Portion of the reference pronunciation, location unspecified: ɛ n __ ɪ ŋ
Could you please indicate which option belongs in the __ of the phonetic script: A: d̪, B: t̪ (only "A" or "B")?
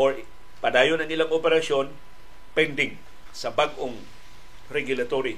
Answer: A